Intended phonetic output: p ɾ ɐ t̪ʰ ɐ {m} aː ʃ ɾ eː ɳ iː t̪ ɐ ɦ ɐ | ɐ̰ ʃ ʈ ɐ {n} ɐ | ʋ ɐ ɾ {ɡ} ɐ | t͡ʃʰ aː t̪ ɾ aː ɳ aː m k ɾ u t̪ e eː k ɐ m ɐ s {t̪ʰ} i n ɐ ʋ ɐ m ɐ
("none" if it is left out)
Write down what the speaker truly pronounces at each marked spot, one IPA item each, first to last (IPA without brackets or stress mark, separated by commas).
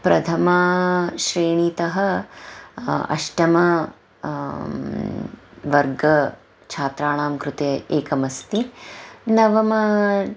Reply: m, m, ɡ, t̪